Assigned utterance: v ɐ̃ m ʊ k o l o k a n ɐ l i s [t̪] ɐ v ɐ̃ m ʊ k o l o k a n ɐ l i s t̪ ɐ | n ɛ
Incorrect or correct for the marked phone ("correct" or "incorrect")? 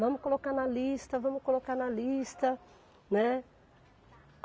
correct